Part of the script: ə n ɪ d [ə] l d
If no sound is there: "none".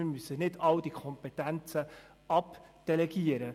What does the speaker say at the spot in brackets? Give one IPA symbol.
ɑ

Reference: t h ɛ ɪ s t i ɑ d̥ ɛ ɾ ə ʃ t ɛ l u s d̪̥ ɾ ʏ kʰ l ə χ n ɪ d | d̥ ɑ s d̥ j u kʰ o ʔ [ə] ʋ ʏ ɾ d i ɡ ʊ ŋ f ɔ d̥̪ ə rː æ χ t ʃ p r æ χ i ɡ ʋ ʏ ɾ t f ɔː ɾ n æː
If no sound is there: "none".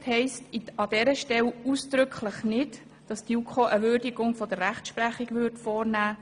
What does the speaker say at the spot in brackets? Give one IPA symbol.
ə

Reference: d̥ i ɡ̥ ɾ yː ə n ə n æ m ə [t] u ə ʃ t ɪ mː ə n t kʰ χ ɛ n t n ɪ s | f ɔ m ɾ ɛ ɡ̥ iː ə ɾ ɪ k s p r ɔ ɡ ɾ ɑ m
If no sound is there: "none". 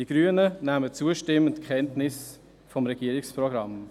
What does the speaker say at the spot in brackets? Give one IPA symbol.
t͡s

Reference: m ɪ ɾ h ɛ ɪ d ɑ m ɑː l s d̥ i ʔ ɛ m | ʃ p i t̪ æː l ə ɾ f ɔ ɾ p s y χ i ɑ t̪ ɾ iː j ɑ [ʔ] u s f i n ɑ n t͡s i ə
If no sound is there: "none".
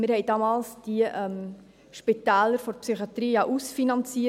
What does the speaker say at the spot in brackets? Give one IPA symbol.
ʔ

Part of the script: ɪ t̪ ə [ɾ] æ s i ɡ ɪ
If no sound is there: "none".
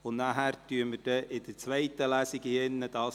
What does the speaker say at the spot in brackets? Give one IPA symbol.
l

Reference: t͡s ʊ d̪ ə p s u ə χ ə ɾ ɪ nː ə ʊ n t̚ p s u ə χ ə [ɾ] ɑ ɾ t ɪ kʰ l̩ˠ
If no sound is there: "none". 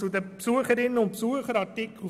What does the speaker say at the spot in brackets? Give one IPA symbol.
ɾ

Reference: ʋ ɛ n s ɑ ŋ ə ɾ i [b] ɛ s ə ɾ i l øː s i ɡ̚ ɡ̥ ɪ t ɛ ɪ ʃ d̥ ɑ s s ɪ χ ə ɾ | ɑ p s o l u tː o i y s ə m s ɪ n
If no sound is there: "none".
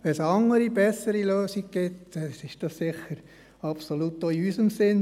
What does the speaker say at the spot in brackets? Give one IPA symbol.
b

